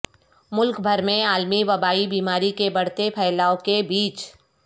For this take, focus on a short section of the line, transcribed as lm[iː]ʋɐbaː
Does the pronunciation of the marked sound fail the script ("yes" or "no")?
yes